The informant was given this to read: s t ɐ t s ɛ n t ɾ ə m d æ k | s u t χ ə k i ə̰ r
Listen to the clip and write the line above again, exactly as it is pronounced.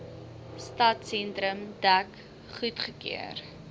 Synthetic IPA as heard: s t ɐ t s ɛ n t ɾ ə m d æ k | χ u t χ ə k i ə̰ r